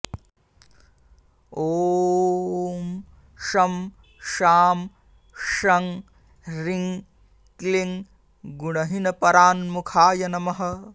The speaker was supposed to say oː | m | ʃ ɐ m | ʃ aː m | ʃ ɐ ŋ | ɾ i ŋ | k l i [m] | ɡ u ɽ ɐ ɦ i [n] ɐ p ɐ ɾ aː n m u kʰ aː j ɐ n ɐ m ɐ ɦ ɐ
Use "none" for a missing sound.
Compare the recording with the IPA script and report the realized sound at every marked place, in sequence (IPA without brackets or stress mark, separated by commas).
ŋ, n